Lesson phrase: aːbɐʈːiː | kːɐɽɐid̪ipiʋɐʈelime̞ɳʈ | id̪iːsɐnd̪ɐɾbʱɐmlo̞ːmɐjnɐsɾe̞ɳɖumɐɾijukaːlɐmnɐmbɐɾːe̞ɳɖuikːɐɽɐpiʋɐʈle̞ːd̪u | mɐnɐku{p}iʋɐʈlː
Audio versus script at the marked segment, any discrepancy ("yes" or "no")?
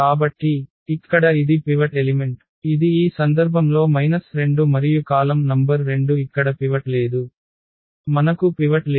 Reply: no